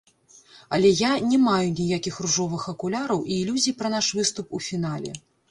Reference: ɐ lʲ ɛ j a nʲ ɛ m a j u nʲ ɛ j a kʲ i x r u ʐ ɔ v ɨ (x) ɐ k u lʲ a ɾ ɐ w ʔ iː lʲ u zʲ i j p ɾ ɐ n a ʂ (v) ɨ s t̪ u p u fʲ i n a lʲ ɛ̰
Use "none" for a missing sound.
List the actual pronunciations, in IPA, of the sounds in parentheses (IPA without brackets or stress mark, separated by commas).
x, v